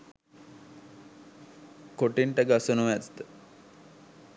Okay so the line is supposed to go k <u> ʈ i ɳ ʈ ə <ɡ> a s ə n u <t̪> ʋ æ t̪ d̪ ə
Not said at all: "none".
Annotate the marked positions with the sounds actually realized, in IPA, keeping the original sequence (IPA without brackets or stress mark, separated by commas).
o, ɡ, none